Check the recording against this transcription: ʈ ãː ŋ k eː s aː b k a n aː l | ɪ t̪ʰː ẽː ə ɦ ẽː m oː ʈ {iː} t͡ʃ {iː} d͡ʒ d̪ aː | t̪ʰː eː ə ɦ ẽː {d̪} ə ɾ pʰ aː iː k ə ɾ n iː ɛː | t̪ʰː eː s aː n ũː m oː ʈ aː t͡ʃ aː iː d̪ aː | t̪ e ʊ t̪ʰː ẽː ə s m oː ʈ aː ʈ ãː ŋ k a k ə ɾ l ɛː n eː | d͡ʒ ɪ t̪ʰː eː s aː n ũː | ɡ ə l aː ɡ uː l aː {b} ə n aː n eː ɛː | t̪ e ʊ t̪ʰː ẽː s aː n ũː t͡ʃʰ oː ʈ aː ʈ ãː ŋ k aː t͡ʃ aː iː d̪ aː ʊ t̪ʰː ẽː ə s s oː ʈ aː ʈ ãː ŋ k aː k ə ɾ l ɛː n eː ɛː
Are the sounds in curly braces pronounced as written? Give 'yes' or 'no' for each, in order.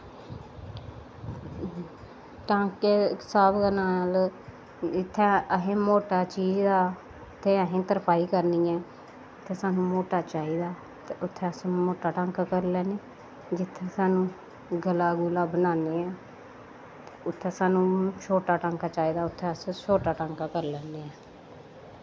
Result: no, yes, no, yes

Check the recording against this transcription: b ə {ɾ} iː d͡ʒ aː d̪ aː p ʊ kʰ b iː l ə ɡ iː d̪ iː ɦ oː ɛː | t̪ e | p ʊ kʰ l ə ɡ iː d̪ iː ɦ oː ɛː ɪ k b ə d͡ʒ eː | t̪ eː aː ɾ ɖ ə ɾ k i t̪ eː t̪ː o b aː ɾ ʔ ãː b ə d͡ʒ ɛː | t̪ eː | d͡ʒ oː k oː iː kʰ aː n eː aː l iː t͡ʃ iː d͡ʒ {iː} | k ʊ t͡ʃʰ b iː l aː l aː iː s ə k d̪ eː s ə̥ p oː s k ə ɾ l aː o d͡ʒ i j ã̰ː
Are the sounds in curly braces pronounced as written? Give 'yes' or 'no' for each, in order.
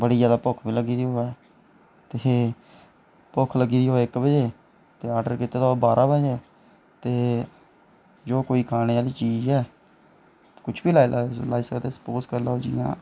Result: no, no

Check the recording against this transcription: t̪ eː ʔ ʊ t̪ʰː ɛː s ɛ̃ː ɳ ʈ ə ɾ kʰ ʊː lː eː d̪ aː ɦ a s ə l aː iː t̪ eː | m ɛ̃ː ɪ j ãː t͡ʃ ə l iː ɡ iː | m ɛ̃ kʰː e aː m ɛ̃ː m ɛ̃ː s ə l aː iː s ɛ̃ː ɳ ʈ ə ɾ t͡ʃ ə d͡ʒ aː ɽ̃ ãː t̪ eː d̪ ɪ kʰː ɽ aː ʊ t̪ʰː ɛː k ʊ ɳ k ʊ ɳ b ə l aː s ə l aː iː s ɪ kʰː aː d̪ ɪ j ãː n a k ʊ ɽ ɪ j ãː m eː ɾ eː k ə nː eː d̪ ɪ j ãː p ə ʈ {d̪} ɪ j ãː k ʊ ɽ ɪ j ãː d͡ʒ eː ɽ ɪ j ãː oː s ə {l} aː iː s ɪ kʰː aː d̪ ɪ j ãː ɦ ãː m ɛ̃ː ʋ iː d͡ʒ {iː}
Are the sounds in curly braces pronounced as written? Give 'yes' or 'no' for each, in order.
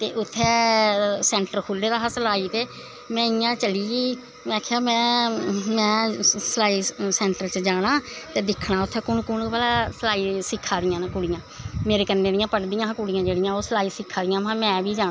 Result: yes, yes, no

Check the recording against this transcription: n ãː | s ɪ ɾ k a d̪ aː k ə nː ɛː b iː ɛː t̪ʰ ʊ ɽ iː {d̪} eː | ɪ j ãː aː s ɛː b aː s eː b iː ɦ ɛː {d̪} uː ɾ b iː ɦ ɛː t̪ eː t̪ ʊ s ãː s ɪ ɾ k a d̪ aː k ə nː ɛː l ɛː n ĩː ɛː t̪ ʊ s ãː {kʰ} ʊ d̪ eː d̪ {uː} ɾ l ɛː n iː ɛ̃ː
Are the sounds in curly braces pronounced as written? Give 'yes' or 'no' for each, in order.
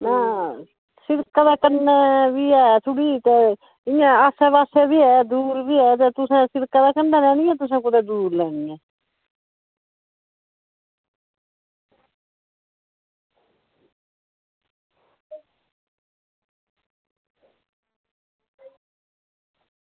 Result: no, yes, no, yes

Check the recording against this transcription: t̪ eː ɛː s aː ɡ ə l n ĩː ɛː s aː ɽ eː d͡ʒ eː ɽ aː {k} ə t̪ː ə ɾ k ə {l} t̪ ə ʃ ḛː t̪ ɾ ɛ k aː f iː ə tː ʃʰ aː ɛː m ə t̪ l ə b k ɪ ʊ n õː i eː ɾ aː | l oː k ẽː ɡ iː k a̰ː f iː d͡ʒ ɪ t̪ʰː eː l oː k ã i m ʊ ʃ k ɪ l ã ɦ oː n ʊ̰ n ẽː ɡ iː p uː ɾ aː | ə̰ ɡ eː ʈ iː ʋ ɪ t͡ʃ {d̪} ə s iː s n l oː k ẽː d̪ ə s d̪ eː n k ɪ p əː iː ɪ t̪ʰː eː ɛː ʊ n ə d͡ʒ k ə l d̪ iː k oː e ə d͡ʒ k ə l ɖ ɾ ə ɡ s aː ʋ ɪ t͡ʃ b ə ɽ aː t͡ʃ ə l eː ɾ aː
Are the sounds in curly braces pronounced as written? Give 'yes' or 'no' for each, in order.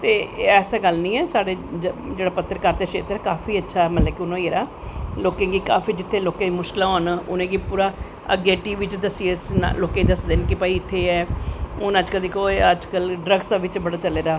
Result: no, no, yes

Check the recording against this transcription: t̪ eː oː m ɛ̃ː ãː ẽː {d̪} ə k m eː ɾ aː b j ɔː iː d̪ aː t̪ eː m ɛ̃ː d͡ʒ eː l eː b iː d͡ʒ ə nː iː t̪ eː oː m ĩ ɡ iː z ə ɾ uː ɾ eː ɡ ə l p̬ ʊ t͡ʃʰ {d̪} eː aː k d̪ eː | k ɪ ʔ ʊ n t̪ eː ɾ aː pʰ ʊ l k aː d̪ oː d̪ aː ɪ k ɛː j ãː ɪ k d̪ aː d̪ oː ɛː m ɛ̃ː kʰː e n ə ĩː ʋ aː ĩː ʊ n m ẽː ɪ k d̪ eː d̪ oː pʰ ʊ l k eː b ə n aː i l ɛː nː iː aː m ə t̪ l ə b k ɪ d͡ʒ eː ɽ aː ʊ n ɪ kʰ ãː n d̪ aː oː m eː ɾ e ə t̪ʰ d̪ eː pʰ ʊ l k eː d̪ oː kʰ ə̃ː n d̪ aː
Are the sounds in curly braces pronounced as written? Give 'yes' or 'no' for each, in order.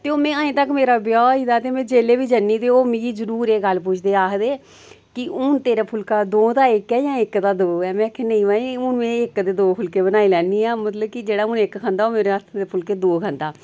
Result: no, yes

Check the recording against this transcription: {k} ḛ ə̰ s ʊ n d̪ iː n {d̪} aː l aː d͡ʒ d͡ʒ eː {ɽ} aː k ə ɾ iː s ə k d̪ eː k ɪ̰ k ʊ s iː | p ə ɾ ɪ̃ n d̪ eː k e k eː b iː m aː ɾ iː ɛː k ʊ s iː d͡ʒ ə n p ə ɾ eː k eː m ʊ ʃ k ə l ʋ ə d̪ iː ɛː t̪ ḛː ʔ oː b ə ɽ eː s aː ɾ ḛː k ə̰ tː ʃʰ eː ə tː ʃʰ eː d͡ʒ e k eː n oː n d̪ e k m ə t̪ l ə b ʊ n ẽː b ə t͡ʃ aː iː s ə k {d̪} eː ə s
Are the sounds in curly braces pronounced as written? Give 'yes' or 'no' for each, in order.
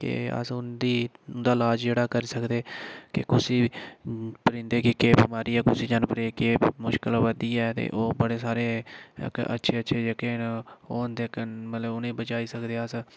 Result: yes, yes, yes, yes

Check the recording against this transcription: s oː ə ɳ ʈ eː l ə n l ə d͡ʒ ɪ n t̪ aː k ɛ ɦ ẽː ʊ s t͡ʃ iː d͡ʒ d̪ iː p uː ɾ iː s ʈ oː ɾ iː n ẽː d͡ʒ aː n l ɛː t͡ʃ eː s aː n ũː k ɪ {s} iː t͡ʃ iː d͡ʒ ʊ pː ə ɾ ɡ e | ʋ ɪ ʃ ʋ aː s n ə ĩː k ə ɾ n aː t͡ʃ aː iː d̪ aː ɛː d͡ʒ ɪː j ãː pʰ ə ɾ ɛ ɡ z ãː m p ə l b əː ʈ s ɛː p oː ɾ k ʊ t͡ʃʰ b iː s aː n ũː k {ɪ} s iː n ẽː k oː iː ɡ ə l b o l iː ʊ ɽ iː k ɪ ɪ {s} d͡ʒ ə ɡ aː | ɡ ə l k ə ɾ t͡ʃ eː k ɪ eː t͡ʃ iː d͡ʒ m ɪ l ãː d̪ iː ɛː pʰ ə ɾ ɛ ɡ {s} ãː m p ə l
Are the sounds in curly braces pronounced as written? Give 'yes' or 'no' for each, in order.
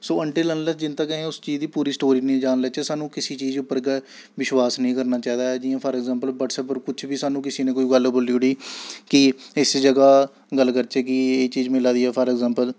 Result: yes, yes, yes, no

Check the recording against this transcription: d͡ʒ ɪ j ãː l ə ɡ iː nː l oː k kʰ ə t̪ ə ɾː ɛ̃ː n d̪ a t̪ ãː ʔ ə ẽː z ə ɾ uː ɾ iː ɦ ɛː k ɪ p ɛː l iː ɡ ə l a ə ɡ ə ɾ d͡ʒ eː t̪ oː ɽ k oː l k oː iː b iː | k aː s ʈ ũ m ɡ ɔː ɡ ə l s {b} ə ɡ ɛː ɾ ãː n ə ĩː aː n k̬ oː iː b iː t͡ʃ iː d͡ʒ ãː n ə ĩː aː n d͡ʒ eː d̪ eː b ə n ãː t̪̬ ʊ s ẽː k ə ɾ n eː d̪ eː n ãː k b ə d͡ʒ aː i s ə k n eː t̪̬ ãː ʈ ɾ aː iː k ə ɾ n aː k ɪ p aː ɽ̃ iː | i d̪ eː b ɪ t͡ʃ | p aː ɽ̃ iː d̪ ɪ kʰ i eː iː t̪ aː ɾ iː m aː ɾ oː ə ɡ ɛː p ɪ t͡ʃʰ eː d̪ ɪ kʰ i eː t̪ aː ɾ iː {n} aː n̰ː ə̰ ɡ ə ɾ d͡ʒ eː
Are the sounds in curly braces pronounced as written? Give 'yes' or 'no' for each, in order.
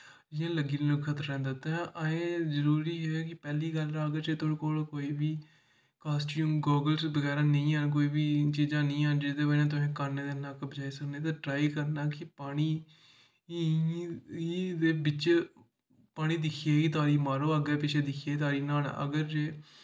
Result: yes, yes

